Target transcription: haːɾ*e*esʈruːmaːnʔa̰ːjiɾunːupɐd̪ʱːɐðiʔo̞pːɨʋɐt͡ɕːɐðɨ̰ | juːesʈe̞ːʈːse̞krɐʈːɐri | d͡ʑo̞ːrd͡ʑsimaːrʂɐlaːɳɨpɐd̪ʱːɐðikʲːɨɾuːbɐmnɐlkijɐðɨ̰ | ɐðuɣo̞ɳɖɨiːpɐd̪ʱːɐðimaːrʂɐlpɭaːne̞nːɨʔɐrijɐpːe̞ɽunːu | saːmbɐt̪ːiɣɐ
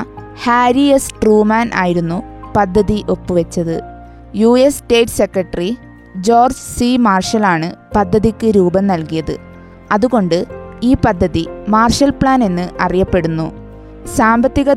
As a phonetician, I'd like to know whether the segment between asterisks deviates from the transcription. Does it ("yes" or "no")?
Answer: yes